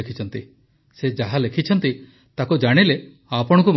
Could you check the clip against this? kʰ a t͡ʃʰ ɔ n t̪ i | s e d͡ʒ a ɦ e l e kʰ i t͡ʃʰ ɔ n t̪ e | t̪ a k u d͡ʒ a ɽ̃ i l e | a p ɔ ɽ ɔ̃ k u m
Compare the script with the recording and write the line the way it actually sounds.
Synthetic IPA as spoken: kʰ i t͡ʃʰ ɔ n t̪ i | s e d͡ʒ a ɦ a l e kʰ i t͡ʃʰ ɔ n t̪ i | t̪ a k u d͡ʒ a ɽ̃ i l e | a p ɔ ɽ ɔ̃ k u m